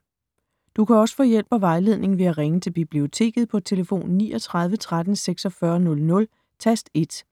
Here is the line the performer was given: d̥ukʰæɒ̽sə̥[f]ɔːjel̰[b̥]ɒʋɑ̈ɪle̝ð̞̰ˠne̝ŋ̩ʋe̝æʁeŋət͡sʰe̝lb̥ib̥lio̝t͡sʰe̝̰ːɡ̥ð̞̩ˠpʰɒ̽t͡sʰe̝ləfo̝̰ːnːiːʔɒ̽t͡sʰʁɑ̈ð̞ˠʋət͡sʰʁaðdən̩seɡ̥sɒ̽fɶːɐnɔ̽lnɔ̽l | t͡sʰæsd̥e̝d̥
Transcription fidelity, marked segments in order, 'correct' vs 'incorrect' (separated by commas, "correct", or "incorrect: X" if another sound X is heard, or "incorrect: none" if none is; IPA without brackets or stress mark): correct, correct